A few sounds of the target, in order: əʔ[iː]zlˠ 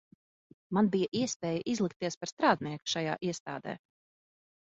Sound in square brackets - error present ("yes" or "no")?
yes